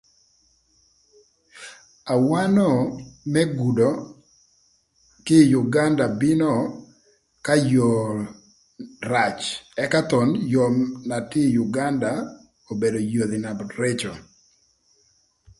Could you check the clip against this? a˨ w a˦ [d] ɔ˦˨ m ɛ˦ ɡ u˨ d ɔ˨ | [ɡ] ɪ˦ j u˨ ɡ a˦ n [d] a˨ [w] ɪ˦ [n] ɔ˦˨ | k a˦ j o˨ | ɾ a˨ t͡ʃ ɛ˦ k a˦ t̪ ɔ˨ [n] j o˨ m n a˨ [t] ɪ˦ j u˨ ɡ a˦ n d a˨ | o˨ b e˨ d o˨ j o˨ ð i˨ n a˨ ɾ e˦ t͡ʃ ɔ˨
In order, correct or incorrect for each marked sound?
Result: incorrect, incorrect, correct, incorrect, correct, correct, correct

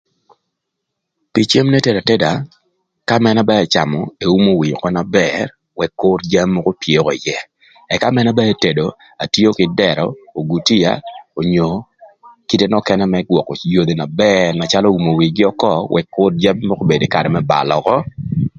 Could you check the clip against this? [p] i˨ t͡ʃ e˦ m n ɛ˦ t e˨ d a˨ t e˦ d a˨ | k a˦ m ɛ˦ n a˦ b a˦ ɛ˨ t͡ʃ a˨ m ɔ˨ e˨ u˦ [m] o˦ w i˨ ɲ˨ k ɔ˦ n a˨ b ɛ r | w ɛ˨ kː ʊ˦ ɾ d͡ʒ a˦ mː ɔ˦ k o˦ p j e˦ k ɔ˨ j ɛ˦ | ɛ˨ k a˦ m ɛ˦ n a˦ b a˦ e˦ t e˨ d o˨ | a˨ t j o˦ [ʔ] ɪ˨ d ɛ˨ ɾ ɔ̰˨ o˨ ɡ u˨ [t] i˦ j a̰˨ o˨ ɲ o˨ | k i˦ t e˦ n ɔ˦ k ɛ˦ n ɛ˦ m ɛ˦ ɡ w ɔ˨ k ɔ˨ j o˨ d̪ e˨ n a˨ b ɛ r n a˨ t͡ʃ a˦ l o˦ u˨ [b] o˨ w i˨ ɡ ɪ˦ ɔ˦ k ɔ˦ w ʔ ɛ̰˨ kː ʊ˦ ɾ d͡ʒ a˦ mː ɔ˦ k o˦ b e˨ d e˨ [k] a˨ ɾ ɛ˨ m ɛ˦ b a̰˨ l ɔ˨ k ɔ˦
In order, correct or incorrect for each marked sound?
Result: correct, correct, incorrect, correct, incorrect, correct

